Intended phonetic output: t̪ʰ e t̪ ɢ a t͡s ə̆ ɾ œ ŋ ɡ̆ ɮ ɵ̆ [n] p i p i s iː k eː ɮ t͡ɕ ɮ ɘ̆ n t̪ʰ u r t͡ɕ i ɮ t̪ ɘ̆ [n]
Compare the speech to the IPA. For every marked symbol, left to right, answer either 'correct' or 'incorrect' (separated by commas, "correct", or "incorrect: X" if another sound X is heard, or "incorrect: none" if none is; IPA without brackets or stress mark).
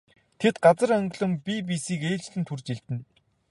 incorrect: m, correct